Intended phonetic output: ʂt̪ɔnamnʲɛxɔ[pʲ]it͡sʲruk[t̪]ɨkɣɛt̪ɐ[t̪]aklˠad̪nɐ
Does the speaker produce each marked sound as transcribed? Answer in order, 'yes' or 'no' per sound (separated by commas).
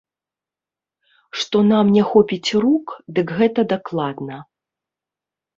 yes, no, no